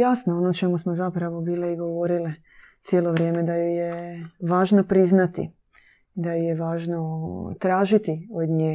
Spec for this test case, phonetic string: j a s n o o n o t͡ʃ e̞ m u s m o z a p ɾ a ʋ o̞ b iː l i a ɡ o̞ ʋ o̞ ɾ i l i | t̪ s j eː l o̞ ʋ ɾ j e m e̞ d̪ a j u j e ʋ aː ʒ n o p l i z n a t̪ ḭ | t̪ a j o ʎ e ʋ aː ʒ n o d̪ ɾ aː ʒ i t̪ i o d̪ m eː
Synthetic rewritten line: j a s n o o n o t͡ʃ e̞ m u s m o z a p ɾ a ʋ o̞ b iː l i i ɡ o̞ ʋ o̞ ɾ i l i | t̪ s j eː l o̞ ʋ ɾ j e m e̞ d̪ a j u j e ʋ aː ʒ n o p ɾ i z n a t̪ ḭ | d̪ a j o j e ʋ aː ʒ n o t̪ ɾ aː ʒ i t̪ i o d̪ ɲ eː